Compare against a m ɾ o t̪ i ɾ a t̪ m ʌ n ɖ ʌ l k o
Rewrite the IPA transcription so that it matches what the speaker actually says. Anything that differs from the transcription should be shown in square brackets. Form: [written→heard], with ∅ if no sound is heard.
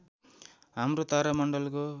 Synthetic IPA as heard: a m ɾ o t̪ [i→a] ɾ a [t̪→∅] m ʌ [n→ɳ] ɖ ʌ l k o

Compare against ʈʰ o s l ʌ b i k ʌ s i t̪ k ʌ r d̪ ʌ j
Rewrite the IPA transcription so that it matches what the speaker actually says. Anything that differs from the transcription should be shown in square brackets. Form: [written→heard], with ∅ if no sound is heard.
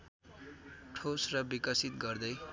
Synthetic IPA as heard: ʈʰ o s [l→r] ʌ b i k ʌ s i t̪ [k→ɡ] ʌ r d̪ ʌ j

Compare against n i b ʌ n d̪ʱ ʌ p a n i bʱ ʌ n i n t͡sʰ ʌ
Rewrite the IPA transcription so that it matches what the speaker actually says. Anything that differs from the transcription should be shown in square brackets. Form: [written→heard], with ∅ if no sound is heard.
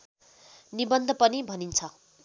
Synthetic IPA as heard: n i b ʌ n d̪ʱ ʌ p [a→ʌ] n i bʱ ʌ n i n t͡sʰ ʌ

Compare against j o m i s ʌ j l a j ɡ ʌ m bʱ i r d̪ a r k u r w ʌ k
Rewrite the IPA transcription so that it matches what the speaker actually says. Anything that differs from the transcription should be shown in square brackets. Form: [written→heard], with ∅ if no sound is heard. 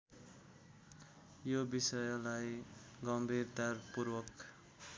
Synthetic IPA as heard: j o [m→b] i s ʌ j l a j ɡ ʌ m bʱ i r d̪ a r [k→p] u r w ʌ k

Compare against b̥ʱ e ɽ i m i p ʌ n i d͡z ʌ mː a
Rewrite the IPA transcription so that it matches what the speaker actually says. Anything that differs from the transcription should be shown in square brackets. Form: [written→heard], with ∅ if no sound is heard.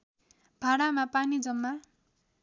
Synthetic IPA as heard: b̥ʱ [e→a] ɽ [i→a] m [i→a] p [ʌ→a] n i d͡z ʌ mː a

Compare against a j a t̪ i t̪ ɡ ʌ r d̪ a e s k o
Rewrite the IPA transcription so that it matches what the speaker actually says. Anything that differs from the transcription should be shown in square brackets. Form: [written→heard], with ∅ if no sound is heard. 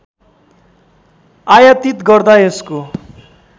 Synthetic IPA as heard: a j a t̪ i t̪ ɡ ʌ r d̪ a e s k o

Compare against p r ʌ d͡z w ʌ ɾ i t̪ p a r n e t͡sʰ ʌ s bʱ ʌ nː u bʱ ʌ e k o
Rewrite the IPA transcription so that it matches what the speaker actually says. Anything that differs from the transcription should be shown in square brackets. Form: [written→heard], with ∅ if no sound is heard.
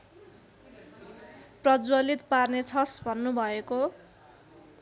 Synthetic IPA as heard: p r ʌ d͡z w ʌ [ɾ→l] i t̪ p a r n e t͡sʰ ʌ s bʱ ʌ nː u bʱ ʌ e k o

